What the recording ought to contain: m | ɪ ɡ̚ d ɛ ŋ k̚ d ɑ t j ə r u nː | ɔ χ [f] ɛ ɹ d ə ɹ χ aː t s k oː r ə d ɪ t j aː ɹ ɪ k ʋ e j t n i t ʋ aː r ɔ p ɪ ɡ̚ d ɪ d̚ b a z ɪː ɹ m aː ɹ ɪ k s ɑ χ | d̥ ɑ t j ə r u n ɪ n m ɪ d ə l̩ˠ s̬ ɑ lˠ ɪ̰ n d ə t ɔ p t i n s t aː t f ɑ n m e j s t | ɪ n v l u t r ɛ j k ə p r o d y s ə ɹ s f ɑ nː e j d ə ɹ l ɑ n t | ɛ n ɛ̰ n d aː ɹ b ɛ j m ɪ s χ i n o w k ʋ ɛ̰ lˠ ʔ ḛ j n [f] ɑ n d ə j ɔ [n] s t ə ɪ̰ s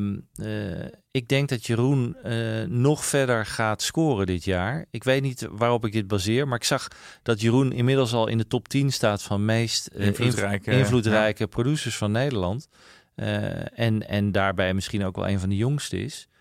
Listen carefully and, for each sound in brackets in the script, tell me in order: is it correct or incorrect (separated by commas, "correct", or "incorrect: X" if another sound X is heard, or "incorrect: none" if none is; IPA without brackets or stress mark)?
correct, incorrect: v, incorrect: ŋ